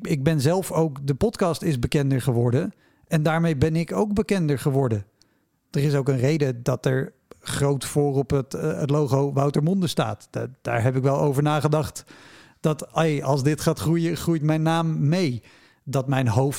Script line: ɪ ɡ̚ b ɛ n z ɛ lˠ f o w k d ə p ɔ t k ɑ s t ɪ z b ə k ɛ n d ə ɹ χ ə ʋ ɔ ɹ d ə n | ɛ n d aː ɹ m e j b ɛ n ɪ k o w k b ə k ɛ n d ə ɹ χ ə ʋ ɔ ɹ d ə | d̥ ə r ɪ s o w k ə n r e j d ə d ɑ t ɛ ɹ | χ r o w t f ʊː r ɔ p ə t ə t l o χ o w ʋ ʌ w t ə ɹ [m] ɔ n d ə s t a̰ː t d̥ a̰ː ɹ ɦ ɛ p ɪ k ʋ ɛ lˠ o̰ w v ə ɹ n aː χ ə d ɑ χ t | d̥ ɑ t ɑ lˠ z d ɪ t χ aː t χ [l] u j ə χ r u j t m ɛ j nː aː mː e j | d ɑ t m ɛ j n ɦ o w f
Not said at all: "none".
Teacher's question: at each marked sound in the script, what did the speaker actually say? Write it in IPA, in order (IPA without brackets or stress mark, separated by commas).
m, r